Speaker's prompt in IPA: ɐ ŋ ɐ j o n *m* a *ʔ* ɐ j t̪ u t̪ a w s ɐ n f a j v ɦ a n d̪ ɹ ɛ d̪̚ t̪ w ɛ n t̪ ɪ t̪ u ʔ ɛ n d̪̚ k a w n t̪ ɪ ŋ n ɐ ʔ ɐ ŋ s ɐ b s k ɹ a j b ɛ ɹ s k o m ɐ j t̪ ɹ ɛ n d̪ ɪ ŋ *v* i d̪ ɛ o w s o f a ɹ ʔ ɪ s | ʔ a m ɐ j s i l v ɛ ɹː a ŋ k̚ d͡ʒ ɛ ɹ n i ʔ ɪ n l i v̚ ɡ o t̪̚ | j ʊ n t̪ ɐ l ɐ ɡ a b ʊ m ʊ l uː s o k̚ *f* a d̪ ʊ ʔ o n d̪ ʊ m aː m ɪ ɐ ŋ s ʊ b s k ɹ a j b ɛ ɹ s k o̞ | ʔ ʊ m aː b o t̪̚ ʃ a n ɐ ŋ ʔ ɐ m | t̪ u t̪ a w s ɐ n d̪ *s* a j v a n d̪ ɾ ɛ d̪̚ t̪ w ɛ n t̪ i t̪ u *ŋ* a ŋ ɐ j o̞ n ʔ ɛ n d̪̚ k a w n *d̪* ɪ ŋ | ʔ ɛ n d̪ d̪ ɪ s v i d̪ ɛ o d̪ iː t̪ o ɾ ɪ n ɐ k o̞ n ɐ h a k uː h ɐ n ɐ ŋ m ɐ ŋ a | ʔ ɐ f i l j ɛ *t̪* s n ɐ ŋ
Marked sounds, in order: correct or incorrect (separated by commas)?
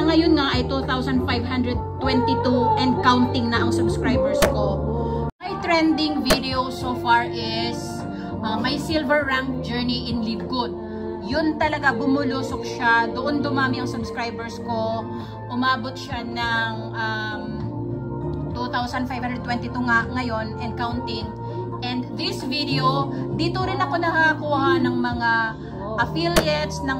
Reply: incorrect, correct, correct, incorrect, incorrect, correct, incorrect, correct